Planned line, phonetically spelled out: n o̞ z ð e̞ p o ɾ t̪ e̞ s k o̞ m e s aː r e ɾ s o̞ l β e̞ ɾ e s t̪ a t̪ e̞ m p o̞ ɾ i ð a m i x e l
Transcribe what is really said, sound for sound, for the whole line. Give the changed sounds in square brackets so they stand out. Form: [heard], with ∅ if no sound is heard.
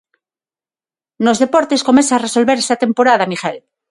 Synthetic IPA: n o̞ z ð e̞ p o ɾ t̪ e̞ s k o̞ m e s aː r e [∅] s o̞ l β e̞ ɾ e s t̪ a t̪ e̞ m p o̞ ɾ [a] ð a m i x e l